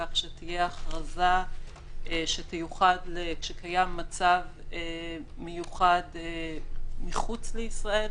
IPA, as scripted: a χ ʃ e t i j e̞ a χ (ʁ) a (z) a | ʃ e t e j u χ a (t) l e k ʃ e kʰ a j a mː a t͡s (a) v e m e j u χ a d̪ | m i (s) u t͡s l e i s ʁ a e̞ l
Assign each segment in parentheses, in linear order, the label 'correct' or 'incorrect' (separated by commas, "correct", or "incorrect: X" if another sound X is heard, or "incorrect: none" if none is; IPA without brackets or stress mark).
correct, correct, incorrect: d, correct, incorrect: χ